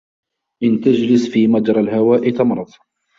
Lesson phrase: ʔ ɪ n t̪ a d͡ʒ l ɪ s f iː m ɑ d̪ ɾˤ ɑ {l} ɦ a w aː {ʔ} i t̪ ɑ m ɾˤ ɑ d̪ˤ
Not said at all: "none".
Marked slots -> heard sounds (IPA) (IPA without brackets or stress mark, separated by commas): l, ʔ